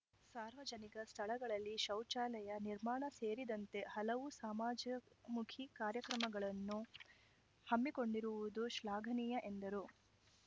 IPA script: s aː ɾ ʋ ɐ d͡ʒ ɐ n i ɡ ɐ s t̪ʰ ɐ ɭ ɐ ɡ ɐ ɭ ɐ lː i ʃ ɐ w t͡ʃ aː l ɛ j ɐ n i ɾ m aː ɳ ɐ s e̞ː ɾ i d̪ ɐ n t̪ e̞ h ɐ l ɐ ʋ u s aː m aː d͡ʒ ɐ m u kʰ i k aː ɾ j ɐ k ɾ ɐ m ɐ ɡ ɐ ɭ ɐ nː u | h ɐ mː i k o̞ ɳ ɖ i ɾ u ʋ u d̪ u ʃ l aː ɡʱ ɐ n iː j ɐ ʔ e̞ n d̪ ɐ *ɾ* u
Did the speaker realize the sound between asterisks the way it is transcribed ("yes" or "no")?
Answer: yes